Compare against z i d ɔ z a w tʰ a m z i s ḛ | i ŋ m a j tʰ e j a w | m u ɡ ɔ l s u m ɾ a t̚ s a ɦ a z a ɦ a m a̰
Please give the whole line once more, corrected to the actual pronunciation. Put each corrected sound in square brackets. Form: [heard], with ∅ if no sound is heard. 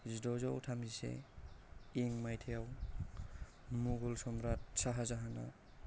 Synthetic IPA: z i d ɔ z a w tʰ a m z i s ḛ | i ŋ m a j tʰ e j a w | m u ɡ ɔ l s [ɔ] m ɾ a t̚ s a ɦ a z a ɦ a [n] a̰